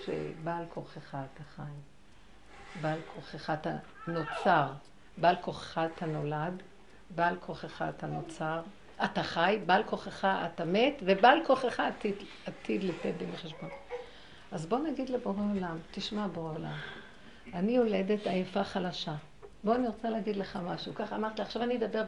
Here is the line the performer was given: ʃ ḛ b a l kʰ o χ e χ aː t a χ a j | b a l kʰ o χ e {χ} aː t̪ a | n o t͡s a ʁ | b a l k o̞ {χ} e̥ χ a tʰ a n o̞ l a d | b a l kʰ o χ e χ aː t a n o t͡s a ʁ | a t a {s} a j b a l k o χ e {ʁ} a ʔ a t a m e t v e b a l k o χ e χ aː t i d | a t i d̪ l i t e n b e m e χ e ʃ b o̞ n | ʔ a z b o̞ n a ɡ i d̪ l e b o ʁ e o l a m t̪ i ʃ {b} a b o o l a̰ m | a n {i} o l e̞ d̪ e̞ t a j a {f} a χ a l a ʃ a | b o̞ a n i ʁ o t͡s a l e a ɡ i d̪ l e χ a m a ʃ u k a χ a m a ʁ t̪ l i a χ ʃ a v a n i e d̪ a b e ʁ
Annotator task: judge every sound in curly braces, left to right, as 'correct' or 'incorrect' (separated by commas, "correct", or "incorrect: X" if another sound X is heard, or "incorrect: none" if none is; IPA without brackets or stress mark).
correct, correct, incorrect: χ, incorrect: χ, incorrect: m, correct, correct